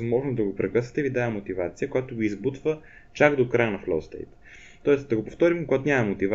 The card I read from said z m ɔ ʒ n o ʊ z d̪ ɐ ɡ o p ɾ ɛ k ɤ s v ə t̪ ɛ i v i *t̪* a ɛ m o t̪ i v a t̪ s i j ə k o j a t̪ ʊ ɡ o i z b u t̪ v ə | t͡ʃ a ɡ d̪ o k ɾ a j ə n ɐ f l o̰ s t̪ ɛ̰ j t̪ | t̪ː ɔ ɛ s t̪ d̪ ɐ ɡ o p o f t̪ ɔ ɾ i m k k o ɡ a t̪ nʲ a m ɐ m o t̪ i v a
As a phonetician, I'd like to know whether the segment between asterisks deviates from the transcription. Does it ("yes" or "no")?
yes